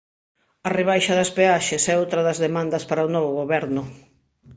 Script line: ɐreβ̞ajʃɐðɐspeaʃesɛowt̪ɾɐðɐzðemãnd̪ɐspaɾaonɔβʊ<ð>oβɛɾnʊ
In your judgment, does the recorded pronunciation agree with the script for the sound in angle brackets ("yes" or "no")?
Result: no